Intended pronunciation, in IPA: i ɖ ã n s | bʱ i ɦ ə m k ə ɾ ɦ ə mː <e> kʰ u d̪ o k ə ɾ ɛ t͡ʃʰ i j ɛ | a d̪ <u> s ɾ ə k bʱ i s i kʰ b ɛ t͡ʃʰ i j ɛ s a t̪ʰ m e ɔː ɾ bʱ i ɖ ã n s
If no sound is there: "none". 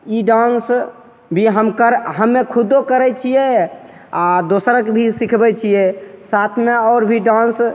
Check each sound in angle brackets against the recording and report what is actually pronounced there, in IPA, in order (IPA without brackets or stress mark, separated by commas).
e, o